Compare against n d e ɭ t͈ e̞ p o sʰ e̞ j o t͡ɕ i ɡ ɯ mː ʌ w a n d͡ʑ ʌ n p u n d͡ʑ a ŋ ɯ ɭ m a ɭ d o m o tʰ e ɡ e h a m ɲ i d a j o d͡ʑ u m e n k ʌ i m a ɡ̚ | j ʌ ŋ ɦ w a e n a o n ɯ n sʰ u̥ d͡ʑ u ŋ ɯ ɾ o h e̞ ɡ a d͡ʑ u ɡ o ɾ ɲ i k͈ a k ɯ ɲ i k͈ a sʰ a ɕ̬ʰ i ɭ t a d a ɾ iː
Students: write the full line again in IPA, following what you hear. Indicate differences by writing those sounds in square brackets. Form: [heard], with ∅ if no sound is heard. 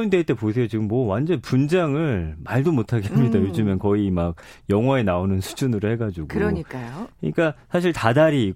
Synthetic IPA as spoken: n d e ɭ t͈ e̞ p o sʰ e̞ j o t͡ɕ i ɡ ɯ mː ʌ w a n d͡ʑ ʌ n p u n d͡ʑ a ŋ ɯ ɭ m a ɭ d o m o tʰ [a] ɡ e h a m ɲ i d a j o d͡ʑ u m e n k ʌ i m a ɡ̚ | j ʌ ŋ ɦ w a e n a o n ɯ n sʰ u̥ d͡ʑ u [n] ɯ ɾ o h e̞ ɡ a d͡ʑ u ɡ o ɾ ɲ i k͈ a k ɯ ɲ i k͈ a sʰ a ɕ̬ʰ i ɭ t a d a ɾ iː